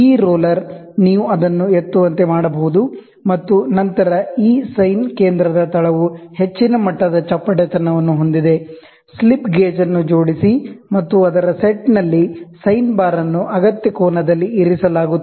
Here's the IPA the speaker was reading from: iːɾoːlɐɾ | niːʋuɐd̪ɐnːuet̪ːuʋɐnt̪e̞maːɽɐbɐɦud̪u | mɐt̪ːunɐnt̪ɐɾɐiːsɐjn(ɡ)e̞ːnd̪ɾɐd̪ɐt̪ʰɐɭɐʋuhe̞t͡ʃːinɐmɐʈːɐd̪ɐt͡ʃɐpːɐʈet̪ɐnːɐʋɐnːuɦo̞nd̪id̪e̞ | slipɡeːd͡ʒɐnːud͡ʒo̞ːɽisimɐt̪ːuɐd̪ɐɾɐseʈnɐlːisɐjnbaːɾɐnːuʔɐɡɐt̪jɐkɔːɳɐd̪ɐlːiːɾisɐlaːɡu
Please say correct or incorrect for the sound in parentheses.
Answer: incorrect: k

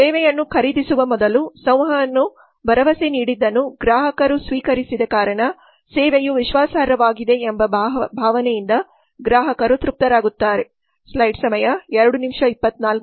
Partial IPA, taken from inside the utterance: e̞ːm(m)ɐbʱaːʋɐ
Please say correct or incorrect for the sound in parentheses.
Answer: incorrect: b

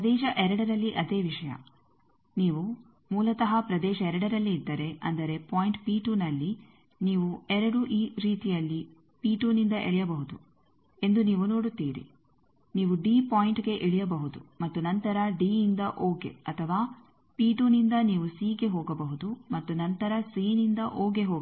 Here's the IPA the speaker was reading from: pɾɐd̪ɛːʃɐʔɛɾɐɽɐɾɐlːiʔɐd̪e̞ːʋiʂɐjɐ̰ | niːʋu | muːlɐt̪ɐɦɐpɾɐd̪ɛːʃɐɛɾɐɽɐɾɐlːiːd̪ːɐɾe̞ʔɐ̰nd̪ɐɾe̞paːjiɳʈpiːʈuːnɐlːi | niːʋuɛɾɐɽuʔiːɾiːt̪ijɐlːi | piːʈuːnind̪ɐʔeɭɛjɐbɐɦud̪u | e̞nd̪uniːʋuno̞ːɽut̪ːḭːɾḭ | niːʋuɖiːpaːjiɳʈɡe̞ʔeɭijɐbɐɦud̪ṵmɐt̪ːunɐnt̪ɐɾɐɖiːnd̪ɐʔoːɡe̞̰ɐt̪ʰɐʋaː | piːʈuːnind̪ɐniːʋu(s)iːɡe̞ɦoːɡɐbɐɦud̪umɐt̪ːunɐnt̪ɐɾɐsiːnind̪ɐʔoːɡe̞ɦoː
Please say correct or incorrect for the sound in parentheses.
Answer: correct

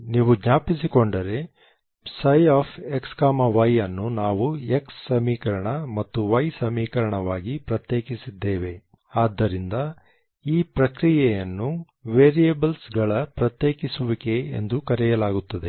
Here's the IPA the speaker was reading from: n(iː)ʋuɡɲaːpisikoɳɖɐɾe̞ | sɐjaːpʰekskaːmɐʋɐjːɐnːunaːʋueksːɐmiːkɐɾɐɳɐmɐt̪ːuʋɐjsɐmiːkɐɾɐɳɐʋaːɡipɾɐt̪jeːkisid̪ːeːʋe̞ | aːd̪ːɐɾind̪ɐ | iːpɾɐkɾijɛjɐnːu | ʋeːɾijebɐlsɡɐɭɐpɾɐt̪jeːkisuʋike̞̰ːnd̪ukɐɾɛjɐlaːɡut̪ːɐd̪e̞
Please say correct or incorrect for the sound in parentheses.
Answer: correct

